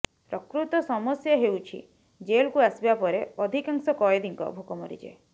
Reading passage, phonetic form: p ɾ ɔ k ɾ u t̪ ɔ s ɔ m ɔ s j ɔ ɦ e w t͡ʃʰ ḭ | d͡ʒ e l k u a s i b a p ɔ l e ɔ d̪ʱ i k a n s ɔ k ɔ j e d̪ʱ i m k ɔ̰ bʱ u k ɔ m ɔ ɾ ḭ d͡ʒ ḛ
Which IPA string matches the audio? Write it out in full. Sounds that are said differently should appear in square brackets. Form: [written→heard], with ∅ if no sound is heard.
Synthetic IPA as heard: p ɾ ɔ k ɾ u t̪ ɔ s ɔ m ɔ s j ɔ ɦ e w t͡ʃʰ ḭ | d͡ʒ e l k u a s i b a p ɔ [l→ɾ] e ɔ d̪ʱ i k a [n→ŋ] s ɔ k ɔ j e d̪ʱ i [m→ŋ] k ɔ̰ bʱ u k ɔ m ɔ ɾ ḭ d͡ʒ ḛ